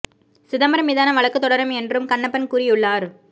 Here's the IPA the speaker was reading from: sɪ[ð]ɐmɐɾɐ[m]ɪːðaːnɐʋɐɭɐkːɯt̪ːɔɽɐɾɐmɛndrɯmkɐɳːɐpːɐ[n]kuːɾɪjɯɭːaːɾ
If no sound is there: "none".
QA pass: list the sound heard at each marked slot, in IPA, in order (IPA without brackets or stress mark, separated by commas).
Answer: ð, m, n